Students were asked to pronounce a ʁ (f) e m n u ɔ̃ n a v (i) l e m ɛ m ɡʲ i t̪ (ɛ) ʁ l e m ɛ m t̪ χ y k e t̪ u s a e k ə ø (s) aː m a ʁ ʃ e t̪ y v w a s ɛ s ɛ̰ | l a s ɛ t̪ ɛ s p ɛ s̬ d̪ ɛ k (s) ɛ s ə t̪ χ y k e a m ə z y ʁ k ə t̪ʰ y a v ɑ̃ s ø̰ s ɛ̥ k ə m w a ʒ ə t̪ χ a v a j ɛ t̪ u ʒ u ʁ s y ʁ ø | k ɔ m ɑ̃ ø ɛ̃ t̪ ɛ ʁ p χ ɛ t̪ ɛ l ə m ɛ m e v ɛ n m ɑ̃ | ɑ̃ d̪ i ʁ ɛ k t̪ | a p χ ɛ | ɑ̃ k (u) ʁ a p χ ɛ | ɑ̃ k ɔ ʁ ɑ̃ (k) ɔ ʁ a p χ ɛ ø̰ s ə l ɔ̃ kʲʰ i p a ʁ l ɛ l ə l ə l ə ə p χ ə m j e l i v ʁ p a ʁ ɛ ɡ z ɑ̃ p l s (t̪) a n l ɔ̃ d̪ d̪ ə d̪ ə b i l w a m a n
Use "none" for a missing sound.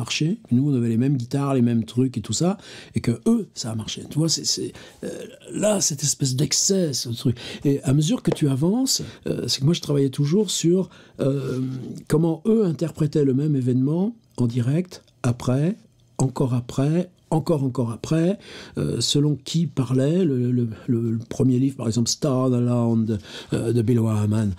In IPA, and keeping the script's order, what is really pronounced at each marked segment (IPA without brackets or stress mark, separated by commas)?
ʃ, ɛ, a, s, s, ɔ, k, t̪